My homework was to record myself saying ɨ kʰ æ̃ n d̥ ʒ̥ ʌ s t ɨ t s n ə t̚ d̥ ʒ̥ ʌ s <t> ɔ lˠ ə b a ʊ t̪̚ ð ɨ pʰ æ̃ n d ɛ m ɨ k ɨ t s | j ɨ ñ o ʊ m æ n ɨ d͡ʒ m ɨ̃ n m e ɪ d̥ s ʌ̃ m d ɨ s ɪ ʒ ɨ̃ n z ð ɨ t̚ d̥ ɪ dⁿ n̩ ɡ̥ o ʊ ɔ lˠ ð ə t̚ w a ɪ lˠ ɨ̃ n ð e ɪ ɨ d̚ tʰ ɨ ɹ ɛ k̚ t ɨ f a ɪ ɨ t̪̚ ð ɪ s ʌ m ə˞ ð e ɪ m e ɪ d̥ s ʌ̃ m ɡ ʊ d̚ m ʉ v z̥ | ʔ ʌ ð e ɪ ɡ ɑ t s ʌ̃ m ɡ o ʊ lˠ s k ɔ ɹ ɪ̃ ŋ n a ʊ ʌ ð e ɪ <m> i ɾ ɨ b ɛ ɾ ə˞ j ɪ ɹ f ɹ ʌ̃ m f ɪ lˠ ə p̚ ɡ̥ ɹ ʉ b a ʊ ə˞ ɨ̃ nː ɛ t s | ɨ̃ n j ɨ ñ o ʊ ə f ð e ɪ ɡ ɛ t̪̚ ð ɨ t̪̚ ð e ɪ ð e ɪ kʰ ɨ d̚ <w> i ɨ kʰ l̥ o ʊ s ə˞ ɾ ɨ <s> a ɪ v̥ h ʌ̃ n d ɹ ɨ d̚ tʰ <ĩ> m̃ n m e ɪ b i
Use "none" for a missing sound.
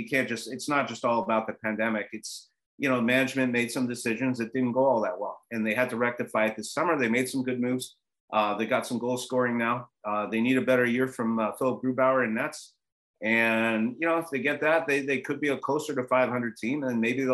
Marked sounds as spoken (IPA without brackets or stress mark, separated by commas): t, n, b, f, ĩ